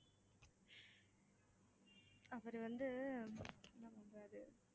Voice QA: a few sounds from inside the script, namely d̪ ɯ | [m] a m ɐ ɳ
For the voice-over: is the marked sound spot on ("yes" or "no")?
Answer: no